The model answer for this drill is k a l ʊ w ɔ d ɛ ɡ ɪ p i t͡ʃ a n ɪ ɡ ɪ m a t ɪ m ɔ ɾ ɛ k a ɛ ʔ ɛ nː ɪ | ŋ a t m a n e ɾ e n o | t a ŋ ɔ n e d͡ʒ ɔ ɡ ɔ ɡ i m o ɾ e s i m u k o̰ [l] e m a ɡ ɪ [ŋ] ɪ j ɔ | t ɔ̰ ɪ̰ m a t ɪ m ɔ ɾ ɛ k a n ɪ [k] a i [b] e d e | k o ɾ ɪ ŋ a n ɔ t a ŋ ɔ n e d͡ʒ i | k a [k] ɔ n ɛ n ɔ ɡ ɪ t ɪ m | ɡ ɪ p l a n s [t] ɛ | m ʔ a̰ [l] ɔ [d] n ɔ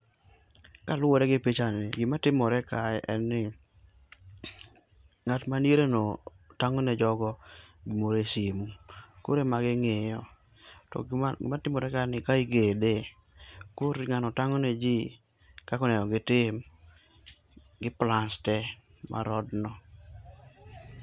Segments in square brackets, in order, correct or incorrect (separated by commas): incorrect, correct, correct, incorrect, correct, correct, incorrect, correct